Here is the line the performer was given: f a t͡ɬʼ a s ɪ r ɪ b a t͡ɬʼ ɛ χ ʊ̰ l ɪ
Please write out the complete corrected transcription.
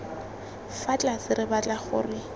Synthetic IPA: f a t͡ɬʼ a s ɪ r ɪ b a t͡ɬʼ a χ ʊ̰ r ɪ